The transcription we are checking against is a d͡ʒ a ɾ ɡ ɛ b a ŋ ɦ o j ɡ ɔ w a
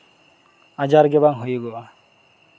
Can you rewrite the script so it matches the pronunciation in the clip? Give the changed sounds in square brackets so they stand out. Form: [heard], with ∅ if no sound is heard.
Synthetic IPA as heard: a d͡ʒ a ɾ ɡ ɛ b a ŋ ɦ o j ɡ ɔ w a